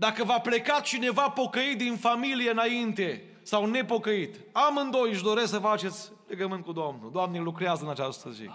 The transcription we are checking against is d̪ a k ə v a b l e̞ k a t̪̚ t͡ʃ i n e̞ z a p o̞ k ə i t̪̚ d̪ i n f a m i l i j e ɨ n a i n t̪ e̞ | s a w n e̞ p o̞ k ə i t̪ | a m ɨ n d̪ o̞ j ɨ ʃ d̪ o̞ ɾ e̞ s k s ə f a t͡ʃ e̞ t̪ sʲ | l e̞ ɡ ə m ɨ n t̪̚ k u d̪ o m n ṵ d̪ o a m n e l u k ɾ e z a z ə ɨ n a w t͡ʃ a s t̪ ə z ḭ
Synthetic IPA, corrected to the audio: d̪ a k ə v a p l e̞ k a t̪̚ t͡ʃ i n e̞ v a p o̞ k ə i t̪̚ d̪ i n f a m i l i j e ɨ n a i n t̪ e̞ | s a w n e̞ p o̞ k ə i t̪ | a m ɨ n d̪ o̞ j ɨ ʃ d̪ o̞ ɾ e̞ s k s ə f a t͡ʃ e̞ t̪ sʲ | l e̞ ɡ ə m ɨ n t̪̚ k u d̪ o m n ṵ d̪ o a m n e l u k ɾ e a z ə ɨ n a t͡ʃ a s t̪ ə z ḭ